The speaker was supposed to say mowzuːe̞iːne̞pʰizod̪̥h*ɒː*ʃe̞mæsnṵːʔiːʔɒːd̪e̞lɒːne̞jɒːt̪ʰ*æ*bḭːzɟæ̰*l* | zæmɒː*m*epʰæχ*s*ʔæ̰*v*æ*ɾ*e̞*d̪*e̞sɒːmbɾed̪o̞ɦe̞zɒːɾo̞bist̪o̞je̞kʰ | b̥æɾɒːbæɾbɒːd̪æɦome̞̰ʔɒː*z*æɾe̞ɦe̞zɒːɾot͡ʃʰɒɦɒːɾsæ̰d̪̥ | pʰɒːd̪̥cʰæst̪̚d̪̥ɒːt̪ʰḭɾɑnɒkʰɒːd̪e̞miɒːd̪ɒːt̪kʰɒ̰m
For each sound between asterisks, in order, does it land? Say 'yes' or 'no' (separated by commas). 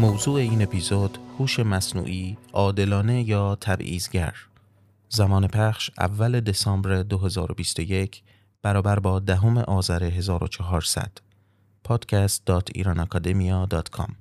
no, yes, no, no, no, no, no, yes, yes